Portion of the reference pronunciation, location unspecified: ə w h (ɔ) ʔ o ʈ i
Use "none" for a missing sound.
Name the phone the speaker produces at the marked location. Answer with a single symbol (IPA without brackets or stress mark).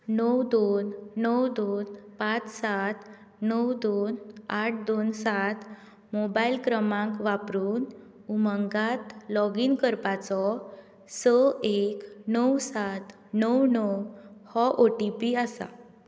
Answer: ɔ